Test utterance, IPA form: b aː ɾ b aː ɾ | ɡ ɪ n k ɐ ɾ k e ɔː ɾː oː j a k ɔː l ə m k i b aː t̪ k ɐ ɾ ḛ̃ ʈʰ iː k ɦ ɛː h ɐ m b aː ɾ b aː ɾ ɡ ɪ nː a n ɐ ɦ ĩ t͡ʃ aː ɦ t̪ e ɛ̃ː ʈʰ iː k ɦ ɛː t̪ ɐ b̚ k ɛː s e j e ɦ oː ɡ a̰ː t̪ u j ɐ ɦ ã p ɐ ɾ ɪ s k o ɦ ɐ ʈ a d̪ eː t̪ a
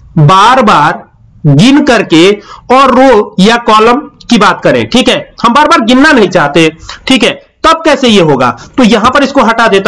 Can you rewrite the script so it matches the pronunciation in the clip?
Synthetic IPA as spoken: b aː ɾ b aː ɾ | ɡ ɪ n k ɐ ɾ k e ɔː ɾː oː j a k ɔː l ə m k i b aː t̪ k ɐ ɾ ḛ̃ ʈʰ iː k ɦ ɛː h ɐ m b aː ɾ b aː ɾ ɡ ɪ nː a n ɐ ɦ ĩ t͡ʃ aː ɦ t̪ e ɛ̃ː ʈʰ iː k ɦ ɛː t̪ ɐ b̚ k ɛː s e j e ɦ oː ɡ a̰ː t̪ o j ɐ ɦ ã p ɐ ɾ ɪ s k o ɦ ɐ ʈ a d̪ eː t̪ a